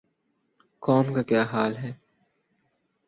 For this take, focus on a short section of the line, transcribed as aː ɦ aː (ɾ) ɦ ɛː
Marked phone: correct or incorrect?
incorrect